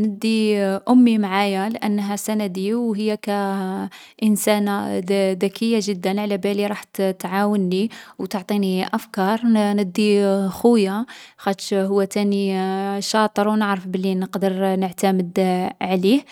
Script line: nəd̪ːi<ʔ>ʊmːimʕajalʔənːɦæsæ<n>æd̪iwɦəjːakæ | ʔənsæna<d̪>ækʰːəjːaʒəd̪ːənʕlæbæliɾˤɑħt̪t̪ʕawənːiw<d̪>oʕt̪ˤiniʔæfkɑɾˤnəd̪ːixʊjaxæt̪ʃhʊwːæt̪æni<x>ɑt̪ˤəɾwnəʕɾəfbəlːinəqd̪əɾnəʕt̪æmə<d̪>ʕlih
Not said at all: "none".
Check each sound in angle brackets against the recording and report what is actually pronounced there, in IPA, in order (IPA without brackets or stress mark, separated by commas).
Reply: ʔ, n, d̪, t̪, ʃ, d̪